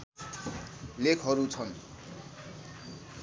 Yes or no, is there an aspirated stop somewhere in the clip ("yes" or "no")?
yes